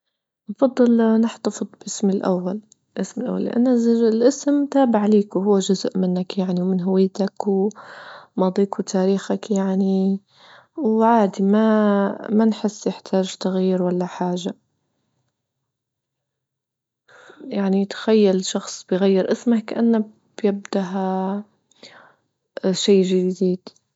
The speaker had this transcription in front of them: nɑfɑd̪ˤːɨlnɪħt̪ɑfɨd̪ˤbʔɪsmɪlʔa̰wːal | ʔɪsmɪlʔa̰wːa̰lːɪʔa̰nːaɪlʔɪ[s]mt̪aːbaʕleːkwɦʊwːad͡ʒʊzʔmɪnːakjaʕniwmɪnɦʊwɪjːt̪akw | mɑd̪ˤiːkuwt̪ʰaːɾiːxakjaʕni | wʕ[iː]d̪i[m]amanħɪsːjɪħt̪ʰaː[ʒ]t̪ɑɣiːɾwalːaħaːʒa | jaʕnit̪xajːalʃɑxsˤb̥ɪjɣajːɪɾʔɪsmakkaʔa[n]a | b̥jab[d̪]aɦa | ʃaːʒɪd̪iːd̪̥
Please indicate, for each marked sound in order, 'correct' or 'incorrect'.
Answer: correct, incorrect, correct, correct, incorrect, correct

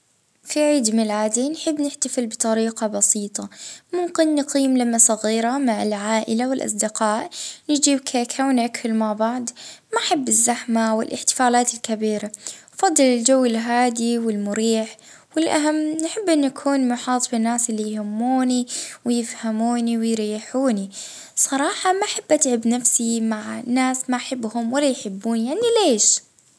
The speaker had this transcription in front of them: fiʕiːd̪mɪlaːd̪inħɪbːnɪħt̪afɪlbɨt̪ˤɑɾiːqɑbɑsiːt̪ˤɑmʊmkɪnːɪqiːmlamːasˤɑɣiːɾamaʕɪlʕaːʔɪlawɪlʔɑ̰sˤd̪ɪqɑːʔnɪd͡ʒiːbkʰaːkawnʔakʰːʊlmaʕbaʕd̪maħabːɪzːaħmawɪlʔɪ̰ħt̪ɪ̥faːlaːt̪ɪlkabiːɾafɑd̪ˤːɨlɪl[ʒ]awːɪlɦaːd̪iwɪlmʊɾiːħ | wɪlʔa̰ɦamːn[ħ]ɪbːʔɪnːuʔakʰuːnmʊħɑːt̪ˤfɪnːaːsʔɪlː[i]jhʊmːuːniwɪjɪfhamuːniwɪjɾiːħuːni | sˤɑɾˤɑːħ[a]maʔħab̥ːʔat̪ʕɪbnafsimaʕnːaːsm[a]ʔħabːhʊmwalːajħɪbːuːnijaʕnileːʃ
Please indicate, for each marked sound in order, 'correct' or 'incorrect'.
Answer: incorrect, correct, correct, incorrect, correct

